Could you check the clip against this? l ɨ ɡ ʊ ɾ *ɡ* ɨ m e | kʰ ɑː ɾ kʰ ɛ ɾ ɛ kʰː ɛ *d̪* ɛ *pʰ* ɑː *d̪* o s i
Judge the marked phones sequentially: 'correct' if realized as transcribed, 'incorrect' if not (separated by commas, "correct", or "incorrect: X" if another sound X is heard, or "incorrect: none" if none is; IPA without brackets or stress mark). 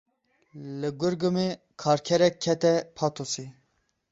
correct, incorrect: t̪, correct, incorrect: t̪